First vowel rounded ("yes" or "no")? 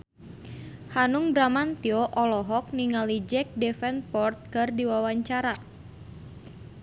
no